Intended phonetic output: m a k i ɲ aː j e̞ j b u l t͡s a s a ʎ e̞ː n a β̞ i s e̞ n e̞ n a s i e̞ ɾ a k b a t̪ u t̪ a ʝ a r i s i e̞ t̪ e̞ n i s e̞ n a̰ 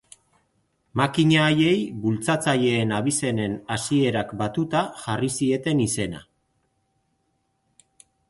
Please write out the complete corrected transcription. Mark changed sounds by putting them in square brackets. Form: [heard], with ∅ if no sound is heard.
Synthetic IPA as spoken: m a k i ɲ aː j e̞ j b u l t͡s a [t͡s] a ʎ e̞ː n a β̞ i s e̞ n e̞ n a s i e̞ ɾ a k b a t̪ u t̪ a ʝ a r i s i e̞ t̪ e̞ n i s e̞ n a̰